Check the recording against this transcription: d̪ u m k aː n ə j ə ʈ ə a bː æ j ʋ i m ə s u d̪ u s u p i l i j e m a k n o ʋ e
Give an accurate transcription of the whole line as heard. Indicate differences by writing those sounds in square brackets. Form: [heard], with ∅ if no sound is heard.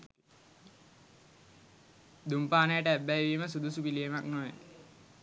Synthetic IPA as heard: d̪ u m [p] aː n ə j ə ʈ ə [æ] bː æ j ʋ i m ə s u d̪ u s u p i l i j e m a k n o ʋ e